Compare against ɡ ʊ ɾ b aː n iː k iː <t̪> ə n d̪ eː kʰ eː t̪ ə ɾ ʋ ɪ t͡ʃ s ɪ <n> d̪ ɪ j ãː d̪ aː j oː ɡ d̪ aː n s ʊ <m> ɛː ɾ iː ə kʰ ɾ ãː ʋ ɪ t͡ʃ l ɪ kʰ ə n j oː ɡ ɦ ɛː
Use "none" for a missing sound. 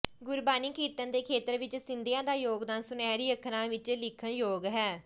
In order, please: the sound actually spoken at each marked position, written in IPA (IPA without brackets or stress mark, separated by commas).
t̪, n, n